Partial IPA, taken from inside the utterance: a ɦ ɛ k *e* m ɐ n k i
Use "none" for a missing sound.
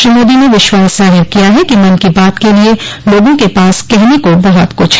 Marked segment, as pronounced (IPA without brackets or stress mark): i